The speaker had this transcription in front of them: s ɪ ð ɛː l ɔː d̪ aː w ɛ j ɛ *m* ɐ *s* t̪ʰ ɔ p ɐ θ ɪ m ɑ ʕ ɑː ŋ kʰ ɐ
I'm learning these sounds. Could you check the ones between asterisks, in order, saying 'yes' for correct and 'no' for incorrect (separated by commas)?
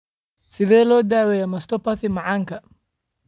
yes, yes